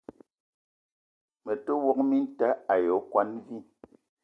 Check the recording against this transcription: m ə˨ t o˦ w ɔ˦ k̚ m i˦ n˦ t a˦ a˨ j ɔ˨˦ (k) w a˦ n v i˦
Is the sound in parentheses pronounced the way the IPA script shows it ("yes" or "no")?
yes